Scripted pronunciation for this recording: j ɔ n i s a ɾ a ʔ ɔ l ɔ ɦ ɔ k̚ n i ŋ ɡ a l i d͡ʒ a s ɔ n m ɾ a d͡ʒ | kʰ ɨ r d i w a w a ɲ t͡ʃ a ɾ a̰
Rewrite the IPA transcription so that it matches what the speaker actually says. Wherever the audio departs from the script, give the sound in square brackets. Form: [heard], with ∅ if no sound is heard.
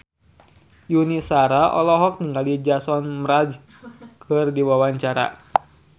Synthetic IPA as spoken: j [u] n i s a ɾ a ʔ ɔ l ɔ ɦ ɔ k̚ n i ŋ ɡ a l i d͡ʒ a s ɔ n m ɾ a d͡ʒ | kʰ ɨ r d i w a w a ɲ t͡ʃ a ɾ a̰